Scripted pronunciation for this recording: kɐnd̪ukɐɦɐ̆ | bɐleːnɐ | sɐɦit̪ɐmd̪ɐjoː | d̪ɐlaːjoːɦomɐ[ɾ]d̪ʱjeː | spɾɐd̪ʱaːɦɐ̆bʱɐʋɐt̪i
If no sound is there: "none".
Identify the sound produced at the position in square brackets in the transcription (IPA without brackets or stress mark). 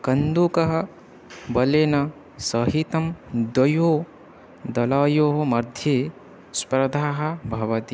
ɾ